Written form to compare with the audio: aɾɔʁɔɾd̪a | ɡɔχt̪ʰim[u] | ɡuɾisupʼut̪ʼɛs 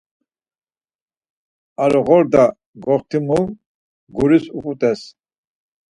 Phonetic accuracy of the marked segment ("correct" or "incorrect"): correct